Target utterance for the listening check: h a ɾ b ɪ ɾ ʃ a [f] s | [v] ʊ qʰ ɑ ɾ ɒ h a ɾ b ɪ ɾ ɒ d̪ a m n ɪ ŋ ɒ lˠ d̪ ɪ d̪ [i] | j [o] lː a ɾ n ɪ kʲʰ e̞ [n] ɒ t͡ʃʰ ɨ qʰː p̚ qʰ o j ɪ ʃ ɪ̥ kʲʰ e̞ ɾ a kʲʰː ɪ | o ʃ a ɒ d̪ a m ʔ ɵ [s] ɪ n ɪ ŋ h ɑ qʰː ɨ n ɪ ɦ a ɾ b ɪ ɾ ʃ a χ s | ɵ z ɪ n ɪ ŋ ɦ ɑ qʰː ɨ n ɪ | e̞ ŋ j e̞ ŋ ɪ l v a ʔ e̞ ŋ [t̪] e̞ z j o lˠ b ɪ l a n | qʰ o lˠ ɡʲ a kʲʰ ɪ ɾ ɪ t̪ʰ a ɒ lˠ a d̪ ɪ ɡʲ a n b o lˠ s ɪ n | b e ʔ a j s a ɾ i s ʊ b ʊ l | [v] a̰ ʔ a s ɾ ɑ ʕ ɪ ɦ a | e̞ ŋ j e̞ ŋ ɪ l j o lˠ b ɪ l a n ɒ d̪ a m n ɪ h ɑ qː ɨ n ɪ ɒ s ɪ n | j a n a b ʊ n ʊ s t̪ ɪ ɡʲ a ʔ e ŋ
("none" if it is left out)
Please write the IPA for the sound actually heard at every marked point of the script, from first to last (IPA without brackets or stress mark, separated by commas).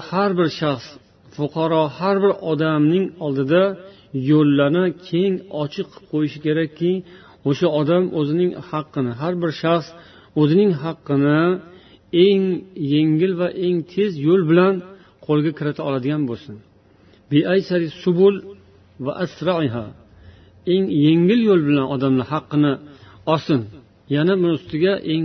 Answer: χ, f, a, o, ŋ, z, t̪ʰ, v